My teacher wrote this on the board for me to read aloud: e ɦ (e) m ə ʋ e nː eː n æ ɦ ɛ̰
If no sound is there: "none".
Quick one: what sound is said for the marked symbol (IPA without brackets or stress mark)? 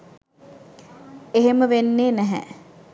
e